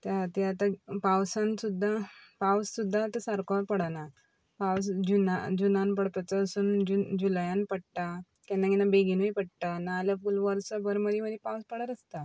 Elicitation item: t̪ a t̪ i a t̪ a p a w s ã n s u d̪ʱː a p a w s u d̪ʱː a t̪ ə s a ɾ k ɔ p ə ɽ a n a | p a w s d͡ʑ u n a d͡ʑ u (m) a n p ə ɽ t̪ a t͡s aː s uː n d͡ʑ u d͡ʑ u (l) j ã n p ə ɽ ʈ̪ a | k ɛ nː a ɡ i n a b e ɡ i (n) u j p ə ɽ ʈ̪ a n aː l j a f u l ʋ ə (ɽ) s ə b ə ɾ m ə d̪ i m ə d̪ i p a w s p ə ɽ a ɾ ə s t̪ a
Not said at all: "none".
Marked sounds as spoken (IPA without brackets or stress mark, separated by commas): n, l, n, ɾ